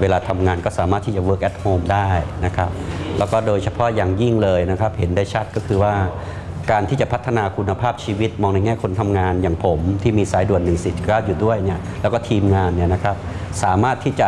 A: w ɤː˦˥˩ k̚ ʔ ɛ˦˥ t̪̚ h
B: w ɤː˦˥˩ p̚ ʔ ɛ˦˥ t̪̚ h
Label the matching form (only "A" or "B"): A